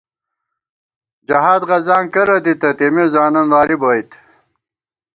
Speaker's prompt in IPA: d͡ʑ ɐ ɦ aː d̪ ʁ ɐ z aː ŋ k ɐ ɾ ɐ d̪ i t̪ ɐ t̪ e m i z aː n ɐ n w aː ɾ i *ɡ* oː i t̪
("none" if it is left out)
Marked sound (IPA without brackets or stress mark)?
b